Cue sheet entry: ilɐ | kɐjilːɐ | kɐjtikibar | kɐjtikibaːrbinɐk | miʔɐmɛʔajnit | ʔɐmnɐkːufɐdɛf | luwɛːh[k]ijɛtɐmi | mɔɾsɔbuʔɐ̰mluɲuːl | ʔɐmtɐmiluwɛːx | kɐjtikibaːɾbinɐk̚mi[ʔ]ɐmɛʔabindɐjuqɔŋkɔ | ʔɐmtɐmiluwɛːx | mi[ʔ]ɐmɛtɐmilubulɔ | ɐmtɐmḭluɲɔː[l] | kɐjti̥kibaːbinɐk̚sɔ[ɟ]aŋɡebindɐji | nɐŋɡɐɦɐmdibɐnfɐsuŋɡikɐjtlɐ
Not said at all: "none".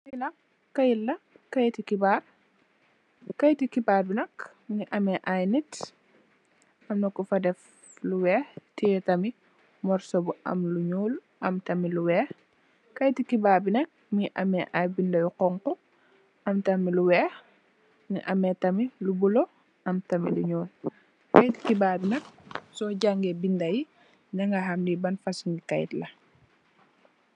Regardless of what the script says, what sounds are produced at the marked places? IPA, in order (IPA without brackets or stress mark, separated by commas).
t, ʔ, ʔ, l, ɟ